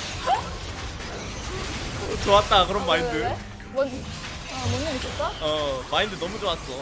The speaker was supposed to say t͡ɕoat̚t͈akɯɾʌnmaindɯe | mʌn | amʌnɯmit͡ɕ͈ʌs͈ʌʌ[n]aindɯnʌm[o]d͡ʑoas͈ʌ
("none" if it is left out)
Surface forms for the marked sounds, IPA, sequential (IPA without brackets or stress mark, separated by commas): m, u